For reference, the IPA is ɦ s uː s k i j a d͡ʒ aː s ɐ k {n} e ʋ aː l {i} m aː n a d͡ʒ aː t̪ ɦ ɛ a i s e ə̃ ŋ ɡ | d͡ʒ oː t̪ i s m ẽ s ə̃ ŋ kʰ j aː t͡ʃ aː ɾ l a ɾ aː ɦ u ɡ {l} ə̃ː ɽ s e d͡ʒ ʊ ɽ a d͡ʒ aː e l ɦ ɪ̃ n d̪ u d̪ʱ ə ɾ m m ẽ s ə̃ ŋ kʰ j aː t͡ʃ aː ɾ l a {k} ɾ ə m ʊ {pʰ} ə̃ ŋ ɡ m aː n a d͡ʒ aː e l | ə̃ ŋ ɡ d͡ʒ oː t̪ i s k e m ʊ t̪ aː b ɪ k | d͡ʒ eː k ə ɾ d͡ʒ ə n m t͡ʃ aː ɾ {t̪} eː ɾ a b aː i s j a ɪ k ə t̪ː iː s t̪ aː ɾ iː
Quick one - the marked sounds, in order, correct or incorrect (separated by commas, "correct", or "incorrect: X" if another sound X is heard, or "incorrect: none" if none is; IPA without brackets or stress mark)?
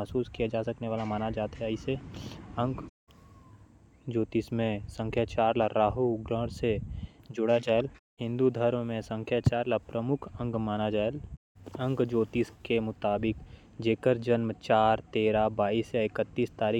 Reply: correct, incorrect: a, incorrect: ɾ, incorrect: p, incorrect: kʰ, correct